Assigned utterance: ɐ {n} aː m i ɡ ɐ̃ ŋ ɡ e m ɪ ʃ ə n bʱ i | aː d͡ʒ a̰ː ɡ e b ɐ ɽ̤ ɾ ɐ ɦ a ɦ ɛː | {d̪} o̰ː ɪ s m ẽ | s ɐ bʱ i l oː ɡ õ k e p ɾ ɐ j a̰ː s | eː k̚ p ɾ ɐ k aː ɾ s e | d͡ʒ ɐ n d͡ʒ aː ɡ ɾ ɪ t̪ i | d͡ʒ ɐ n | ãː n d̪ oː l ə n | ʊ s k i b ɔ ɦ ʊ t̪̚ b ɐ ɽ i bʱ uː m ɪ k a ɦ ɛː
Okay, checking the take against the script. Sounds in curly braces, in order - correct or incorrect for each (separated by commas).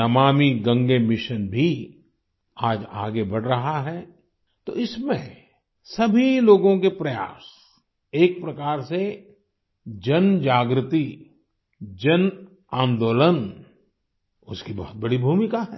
incorrect, incorrect